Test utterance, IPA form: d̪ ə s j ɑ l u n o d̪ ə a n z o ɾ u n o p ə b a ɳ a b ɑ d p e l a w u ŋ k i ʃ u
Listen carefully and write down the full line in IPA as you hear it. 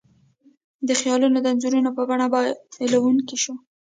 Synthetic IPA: d̪ ə x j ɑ l u n o d̪ ə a n z u ɾ u n o p ə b a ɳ a b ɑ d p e l a w u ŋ k i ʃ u